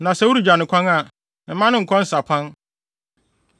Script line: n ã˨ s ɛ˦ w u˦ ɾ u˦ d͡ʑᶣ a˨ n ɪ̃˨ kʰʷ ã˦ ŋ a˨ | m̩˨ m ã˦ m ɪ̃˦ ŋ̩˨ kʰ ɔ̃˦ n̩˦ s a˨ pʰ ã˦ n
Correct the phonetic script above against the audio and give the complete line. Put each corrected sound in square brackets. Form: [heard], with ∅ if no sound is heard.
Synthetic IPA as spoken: n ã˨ s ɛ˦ w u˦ ɾ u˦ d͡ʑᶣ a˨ n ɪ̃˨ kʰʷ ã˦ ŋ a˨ | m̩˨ m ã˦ [n] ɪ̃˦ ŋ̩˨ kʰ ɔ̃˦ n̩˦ s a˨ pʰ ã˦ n